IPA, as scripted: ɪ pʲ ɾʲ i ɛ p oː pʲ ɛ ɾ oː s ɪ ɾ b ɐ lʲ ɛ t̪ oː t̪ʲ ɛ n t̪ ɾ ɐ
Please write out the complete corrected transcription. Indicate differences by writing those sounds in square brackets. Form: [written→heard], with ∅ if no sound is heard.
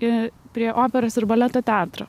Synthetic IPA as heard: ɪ pʲ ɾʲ i ɛ [p→ʔ] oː pʲ ɛ ɾ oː s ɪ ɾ b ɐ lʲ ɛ t̪ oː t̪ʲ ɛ n t̪ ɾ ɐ